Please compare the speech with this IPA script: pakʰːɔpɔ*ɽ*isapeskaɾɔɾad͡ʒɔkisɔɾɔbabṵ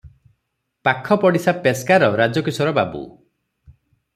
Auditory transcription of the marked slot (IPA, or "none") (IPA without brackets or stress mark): ɽ